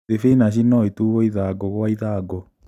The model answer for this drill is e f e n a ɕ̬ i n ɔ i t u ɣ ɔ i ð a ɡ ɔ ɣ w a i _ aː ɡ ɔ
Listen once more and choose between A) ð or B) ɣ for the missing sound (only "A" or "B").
A